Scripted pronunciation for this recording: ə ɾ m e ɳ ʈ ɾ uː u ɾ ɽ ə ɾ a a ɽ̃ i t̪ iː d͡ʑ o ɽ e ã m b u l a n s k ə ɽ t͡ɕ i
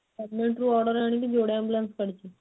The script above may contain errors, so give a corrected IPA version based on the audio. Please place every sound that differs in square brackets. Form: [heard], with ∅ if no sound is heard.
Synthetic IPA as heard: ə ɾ m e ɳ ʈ ɾ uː [ɔ] ɾ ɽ ə ɾ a a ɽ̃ i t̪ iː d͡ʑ o ɽ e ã m b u l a n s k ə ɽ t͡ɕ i

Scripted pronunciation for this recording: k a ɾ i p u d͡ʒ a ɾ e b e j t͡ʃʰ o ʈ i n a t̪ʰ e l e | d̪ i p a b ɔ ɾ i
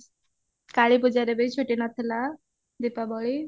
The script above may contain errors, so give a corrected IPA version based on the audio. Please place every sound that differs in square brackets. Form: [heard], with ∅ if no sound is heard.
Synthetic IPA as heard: k a [ɭ] i p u d͡ʒ a ɾ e b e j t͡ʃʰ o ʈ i n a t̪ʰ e l [a] | d̪ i p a b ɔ [ɭ] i

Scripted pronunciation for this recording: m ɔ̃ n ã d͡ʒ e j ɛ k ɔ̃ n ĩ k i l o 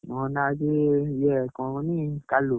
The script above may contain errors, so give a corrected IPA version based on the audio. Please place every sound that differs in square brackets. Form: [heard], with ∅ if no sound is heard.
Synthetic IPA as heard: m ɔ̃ n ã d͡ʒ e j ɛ k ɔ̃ n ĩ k [a] l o

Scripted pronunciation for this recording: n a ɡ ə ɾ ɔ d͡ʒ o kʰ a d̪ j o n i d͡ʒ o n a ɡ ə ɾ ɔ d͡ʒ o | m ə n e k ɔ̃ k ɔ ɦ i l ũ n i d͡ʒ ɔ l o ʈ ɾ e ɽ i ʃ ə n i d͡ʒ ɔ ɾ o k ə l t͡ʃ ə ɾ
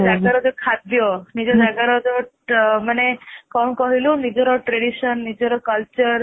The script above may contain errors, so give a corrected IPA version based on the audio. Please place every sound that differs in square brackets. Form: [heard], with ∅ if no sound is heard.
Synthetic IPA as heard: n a ɡ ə ɾ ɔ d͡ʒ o kʰ a d̪ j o n i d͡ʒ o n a ɡ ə ɾ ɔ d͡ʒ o | m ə n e k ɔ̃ k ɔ ɦ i l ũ n i d͡ʒ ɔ [ɾ] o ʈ ɾ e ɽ i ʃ ə [nː] i d͡ʒ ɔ ɾ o k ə l t͡ʃ ə ɾ

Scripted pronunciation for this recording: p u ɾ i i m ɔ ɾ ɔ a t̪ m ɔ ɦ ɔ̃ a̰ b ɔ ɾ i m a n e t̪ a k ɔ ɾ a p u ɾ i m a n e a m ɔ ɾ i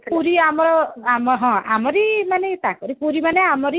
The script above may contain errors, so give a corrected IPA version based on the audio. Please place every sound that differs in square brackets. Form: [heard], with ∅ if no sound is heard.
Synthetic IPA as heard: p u ɾ i [a] m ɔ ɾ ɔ a [∅] m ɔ ɦ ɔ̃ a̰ [m] ɔ ɾ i m a n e t̪ a k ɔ ɾ [i] p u ɾ i m a n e a m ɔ ɾ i

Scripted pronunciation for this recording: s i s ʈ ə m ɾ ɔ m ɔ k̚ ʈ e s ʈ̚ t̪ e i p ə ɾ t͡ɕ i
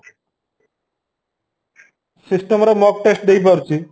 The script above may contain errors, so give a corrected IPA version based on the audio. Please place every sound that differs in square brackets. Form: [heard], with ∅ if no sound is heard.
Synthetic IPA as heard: s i s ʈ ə m ɾ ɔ m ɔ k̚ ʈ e s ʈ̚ [d̪] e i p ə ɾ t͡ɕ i

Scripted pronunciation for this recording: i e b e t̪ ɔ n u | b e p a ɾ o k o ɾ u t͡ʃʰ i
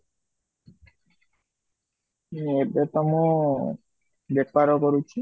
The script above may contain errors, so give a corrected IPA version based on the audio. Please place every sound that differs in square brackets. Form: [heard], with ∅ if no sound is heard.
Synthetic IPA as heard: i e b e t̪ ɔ [m] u | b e p a ɾ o k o ɾ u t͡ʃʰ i

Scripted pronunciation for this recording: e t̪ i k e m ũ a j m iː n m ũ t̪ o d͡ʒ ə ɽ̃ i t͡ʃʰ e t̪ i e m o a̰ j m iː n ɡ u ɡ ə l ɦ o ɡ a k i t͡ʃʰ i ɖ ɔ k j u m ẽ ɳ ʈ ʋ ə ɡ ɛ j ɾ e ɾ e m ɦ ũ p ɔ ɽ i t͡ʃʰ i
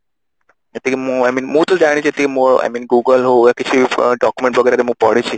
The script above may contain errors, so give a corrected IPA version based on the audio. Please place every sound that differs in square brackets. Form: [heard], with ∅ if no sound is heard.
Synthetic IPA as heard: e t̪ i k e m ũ a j m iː n m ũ t̪ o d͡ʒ [a] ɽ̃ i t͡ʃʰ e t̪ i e m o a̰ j m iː n ɡ u ɡ ə l ɦ o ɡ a k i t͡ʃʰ i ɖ ɔ k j u m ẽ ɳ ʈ ʋ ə ɡ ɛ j ɾ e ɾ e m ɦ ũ p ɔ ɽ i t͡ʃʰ i

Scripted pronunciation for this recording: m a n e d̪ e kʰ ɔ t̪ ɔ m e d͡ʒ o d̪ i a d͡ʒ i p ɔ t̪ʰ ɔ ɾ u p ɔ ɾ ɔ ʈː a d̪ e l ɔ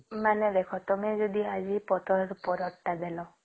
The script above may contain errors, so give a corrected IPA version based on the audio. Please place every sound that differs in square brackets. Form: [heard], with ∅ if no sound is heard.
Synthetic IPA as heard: m a n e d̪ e kʰ ɔ t̪ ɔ m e d͡ʒ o d̪ i a d͡ʒ i p ɔ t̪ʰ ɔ ɾ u p ɔ ɾ ɔ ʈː a d̪ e l ɔ

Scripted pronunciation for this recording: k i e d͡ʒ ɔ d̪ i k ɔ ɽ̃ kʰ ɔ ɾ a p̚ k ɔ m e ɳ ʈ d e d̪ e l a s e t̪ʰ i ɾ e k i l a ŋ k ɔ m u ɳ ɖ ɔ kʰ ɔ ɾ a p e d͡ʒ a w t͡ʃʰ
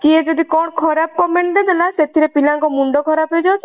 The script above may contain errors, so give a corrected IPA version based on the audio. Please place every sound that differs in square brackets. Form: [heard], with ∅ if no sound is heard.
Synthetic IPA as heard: k i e d͡ʒ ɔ d̪ i k ɔ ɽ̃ kʰ ɔ ɾ a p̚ k ɔ m e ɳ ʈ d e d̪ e l a s e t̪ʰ i ɾ e [p] i l a ŋ k ɔ m u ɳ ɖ ɔ kʰ ɔ ɾ a p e d͡ʒ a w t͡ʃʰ

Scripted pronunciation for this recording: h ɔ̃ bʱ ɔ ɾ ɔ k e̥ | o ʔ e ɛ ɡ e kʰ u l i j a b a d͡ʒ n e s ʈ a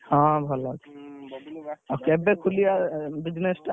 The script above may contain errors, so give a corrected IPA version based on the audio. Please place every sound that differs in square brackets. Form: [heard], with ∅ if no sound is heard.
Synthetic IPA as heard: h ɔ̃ bʱ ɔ [l] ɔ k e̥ | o [k] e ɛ [b] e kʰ u l i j a b [i] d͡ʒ n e s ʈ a

